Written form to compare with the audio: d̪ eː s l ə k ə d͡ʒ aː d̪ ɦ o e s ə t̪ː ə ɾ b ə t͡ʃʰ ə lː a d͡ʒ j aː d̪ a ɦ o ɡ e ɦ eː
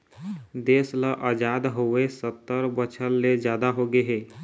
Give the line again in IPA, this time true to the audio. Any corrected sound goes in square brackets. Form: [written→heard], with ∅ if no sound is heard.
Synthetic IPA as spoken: d̪ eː s l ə [k→ʔ] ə d͡ʒ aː d̪ ɦ o e s ə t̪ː ə ɾ b ə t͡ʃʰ ə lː [a→e] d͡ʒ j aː d̪ a ɦ o ɡ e ɦ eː